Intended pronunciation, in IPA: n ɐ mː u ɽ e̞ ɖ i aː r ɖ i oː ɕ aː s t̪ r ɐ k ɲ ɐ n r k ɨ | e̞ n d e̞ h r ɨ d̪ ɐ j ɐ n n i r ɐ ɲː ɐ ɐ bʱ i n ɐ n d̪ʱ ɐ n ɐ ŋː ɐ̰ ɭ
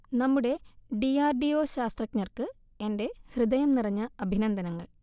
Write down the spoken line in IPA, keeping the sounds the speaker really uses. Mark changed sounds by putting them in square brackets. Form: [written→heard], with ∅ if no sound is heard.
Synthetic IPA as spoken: n ɐ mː u ɽ e̞ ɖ i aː r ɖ i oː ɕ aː s t̪ r ɐ k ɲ ɐ [n→∅] r k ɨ | e̞ n d e̞ h r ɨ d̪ ɐ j ɐ [n→m] n i r ɐ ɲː ɐ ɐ bʱ i n ɐ n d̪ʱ ɐ n ɐ ŋː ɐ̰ ɭ